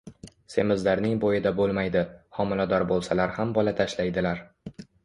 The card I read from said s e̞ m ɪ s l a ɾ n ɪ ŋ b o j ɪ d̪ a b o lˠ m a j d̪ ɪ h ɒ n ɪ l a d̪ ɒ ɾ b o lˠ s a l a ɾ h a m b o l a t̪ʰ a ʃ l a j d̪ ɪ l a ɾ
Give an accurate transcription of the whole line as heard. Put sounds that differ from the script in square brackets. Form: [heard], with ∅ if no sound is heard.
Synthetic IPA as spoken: s e̞ m ɪ [z] l a ɾ n ɪ ŋ b o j ɪ d̪ a b o lˠ m a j d̪ ɪ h ɒ [m] ɪ l a d̪ ɒ ɾ b o lˠ s a l a ɾ h a m b [ɒ] l a t̪ʰ a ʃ l a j d̪ ɪ l a ɾ